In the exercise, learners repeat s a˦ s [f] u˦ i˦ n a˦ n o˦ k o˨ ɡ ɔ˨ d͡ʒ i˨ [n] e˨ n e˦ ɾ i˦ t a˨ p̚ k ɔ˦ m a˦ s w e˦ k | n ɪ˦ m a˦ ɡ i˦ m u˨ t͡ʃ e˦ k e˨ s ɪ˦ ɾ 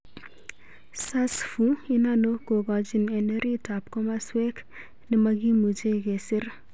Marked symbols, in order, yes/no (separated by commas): yes, yes